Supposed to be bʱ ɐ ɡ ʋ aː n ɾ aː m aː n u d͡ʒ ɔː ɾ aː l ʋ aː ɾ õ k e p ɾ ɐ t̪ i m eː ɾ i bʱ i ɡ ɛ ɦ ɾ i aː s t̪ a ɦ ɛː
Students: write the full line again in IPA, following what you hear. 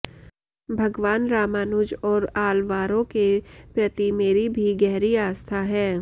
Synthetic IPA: bʱ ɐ ɡ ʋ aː n ɾ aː m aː n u d͡ʒ ɔː ɾ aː l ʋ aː ɾ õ k e p ɾ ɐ t̪ i m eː ɾ i bʱ i ɡ ɛ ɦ ɾ i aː s t̪ʰ a ɦ ɛː